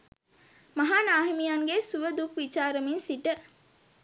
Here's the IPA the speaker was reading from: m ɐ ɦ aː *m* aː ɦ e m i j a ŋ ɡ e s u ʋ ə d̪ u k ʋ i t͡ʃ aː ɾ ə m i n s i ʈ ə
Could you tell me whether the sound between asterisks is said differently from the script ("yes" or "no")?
yes